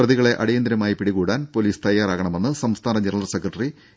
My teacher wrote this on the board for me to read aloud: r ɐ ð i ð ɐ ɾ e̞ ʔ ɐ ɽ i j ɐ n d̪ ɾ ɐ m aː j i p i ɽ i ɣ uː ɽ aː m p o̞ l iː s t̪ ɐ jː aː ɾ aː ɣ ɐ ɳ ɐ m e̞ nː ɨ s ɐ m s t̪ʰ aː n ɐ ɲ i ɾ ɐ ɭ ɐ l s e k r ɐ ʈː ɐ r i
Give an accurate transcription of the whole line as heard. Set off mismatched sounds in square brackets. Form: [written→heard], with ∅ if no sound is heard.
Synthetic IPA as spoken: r ɐ ð i [ð→ɣ] ɐ [ɾ→ɭ] e̞ ʔ ɐ ɽ i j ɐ n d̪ ɾ ɐ m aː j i p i ɽ i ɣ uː ɽ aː [m→n] p o̞ l iː s t̪ ɐ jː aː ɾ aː ɣ ɐ ɳ ɐ m e̞ nː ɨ s ɐ m s t̪ʰ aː n ɐ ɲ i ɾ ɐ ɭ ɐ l s e k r ɐ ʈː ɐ r i